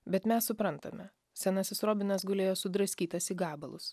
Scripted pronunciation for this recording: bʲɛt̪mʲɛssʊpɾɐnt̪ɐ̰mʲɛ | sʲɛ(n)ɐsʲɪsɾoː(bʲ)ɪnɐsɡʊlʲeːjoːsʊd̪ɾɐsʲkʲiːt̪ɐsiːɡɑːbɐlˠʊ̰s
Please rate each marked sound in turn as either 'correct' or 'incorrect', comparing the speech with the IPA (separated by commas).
correct, correct